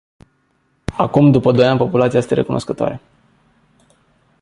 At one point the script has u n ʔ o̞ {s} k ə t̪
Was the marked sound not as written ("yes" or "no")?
no